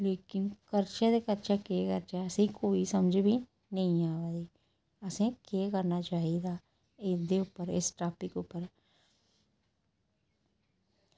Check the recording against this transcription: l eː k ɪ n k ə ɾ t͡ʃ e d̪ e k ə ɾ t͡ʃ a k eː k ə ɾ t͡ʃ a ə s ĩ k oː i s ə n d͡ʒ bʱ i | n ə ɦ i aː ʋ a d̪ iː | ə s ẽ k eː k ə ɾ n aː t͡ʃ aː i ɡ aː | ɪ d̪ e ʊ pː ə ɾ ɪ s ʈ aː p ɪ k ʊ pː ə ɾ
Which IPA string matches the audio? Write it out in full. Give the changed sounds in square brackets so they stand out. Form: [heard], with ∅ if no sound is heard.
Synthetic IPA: l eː k ɪ n k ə ɾ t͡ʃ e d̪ e k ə ɾ t͡ʃ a k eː k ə ɾ t͡ʃ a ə s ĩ k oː i s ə [m] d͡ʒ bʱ i | n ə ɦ [ĩ] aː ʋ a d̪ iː | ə s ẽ k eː k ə ɾ n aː t͡ʃ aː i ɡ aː | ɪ d̪ e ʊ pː ə ɾ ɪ s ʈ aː p ɪ k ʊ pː ə ɾ